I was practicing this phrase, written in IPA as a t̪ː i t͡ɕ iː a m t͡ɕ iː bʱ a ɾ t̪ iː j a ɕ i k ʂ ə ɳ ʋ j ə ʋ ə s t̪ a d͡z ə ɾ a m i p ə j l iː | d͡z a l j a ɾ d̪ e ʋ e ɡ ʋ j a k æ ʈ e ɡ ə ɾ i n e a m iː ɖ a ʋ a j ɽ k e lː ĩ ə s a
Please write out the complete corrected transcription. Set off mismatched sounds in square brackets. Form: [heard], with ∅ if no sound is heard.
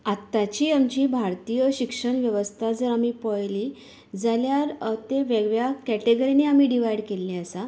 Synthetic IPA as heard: a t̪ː [a] t͡ɕ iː a m t͡ɕ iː bʱ a ɾ t̪ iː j [ə] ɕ i k ʂ ə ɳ ʋ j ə ʋ ə s [t̪ʰ] a d͡z ə ɾ a m i p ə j l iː | d͡z a l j a ɾ [t̪] e ʋ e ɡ ʋ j a k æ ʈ e ɡ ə ɾ i n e a m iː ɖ [i] ʋ a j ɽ k e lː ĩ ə s a